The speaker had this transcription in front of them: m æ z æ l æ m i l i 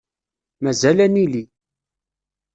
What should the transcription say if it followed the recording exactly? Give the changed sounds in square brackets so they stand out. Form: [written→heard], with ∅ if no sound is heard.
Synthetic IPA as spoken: m æ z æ l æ [m→n] i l i